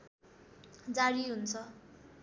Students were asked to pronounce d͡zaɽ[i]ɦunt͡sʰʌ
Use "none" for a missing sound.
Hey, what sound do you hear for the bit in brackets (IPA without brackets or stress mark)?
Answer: i